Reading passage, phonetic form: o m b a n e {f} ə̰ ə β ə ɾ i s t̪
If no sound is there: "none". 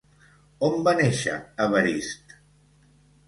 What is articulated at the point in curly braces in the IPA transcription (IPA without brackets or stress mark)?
ʃ